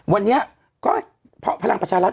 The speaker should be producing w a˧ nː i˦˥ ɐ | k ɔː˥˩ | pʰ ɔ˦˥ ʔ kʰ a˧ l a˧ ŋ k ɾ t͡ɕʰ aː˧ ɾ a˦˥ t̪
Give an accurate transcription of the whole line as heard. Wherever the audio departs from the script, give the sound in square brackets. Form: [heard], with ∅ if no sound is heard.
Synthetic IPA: w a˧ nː i˦˥ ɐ | k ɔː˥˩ | pʰ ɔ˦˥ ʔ [pʰ] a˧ l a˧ ŋ [p] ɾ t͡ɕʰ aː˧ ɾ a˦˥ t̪